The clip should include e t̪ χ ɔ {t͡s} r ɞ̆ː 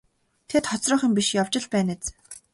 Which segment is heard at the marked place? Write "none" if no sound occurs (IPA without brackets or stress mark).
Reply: t͡s